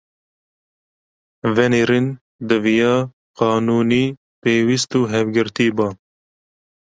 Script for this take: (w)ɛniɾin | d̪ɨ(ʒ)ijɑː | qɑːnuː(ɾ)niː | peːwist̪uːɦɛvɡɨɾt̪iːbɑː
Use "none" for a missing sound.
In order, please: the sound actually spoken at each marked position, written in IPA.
v, v, none

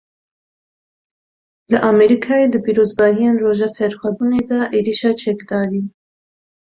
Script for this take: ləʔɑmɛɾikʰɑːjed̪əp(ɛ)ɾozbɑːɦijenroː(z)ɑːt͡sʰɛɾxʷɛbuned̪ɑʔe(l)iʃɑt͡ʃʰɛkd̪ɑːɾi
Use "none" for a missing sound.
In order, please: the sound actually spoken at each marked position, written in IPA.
i, ʒ, ɾ

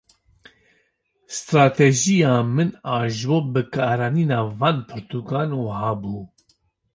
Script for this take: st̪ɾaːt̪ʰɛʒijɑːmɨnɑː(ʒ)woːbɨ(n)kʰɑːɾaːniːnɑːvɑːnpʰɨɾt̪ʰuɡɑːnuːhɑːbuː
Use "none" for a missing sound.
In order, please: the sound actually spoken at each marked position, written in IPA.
ʒ, none

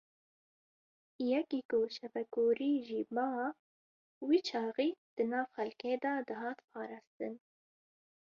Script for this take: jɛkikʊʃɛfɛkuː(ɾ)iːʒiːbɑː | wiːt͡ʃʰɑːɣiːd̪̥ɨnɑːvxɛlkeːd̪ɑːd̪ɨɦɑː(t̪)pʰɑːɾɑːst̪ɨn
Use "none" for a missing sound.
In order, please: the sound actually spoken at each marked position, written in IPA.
ɾ, t̪

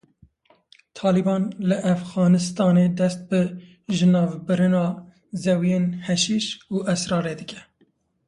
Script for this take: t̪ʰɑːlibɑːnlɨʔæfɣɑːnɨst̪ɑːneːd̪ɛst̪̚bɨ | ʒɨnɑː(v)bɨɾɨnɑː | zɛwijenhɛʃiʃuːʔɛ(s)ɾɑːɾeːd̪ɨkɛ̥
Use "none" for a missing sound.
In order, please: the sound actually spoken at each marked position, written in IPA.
v, s

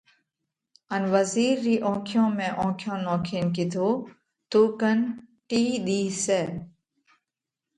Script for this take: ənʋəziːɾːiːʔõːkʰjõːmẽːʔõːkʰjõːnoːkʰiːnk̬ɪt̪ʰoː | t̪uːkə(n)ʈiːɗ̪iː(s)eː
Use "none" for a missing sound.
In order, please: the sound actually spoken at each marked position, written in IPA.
n, s

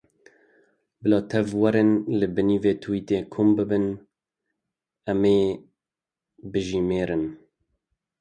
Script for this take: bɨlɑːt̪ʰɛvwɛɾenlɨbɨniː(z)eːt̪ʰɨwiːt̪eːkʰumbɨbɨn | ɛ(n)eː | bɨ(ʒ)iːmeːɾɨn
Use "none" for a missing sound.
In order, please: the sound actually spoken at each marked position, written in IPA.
v, m, ʒ

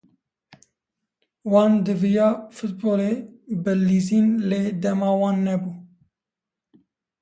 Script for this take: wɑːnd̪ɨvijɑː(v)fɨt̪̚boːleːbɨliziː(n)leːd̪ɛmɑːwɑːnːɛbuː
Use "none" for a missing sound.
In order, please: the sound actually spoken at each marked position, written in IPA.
none, n

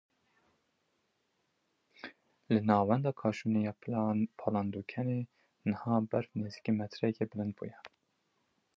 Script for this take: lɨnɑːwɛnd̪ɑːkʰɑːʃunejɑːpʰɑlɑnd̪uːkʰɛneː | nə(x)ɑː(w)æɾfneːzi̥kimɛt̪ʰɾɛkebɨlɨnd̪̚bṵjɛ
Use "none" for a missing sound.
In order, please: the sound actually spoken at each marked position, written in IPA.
h, b

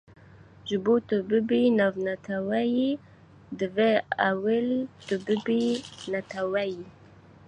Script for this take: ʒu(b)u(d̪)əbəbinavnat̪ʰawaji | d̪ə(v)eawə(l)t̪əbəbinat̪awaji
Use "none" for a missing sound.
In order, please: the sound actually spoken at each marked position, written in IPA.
b, t̪, v, l

